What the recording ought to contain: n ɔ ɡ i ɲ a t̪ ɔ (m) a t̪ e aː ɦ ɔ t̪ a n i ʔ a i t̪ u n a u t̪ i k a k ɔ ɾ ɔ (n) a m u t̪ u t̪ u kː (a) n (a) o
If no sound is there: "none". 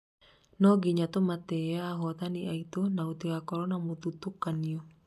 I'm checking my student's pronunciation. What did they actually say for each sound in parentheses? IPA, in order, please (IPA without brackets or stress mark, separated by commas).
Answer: m, n, a, i